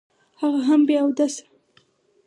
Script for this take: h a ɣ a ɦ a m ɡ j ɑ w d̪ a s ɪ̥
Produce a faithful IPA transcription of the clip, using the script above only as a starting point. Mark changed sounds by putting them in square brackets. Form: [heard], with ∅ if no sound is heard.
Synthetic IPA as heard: h a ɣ a ɦ a m [b] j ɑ w d̪ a s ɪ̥